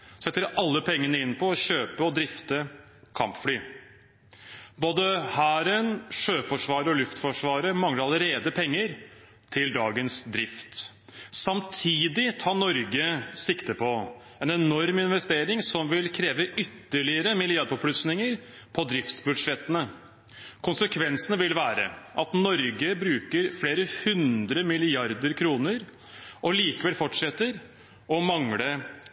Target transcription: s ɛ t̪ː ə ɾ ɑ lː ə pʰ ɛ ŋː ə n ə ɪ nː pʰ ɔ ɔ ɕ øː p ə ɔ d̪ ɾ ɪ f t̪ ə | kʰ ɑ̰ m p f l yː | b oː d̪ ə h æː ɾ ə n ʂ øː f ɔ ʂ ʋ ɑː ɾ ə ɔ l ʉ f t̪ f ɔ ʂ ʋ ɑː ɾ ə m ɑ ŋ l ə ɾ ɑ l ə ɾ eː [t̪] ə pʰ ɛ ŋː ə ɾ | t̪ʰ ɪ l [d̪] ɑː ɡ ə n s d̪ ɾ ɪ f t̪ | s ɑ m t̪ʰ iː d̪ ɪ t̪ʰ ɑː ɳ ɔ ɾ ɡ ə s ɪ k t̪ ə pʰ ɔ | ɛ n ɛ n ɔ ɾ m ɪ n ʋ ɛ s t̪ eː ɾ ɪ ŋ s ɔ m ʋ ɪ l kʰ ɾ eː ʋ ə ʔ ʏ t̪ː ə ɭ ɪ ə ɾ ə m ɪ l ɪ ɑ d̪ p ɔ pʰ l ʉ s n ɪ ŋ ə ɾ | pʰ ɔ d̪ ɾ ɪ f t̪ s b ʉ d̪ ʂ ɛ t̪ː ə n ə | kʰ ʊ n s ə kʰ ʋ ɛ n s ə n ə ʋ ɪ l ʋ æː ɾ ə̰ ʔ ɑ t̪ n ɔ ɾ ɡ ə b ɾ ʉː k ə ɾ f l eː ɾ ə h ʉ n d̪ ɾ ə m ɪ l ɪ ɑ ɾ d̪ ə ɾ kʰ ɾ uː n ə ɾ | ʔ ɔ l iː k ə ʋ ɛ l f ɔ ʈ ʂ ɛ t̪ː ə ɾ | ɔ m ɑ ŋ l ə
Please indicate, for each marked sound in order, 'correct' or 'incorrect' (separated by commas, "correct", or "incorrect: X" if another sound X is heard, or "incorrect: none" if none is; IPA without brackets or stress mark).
incorrect: d̪, correct